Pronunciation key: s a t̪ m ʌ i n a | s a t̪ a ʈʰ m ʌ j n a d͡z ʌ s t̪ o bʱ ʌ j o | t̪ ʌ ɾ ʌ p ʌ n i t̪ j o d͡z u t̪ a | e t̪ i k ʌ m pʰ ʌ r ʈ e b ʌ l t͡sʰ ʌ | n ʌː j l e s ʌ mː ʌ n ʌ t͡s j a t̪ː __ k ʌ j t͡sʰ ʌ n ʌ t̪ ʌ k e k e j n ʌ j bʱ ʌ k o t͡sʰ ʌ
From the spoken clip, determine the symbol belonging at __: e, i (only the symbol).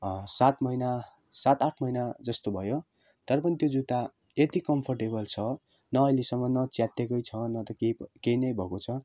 e